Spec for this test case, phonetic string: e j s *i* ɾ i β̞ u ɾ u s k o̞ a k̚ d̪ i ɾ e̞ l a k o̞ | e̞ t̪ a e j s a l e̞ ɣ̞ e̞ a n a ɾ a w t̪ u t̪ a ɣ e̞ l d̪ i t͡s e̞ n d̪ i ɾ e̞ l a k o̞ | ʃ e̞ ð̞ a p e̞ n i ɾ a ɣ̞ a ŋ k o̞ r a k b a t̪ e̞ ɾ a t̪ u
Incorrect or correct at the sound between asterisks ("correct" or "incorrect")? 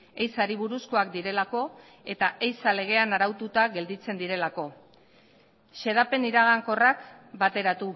incorrect